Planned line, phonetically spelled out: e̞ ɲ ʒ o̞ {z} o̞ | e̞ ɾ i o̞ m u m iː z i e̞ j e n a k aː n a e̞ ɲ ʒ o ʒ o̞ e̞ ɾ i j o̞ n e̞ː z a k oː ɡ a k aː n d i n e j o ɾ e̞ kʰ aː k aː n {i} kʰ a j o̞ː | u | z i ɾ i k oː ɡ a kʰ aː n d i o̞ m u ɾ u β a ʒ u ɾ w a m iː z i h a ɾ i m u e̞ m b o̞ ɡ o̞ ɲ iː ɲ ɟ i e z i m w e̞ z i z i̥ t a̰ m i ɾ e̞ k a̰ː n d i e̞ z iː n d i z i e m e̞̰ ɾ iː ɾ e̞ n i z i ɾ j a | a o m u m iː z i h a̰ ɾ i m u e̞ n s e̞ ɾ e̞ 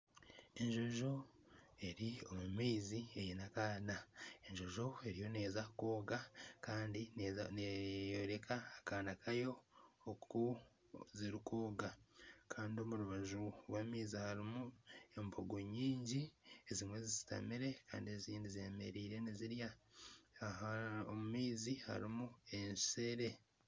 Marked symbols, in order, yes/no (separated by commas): no, no